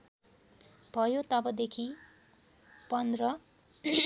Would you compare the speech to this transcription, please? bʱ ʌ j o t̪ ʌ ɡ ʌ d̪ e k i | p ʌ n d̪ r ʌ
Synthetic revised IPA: bʱ ʌ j o t̪ ʌ b ʌ d̪ e kʰ i | p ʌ n d̪ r ʌ